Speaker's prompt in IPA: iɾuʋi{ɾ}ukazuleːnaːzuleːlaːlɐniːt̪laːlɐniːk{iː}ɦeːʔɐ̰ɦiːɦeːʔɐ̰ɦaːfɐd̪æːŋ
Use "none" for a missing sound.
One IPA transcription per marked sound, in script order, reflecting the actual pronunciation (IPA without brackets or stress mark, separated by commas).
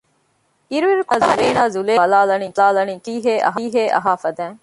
ɾ, iː